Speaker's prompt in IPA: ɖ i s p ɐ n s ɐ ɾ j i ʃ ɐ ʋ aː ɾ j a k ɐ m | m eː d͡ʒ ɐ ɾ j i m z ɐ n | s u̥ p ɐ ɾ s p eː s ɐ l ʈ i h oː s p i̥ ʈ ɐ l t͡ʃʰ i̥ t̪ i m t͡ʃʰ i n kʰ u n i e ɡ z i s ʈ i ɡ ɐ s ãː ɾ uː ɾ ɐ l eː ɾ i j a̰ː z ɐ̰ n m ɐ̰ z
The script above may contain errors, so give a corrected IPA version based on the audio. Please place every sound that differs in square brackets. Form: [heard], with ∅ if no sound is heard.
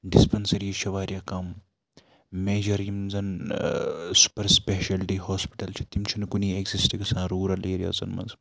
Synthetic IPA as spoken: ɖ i s p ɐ n s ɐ ɾ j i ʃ ɐ ʋ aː ɾ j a k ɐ m | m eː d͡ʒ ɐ ɾ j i m z ɐ n | s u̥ p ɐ ɾ s p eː [ʃ] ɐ l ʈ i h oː s p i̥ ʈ ɐ l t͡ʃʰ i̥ t̪ i m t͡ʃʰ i n [k] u n i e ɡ z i s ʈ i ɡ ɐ s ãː ɾ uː ɾ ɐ l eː ɾ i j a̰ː z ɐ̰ n m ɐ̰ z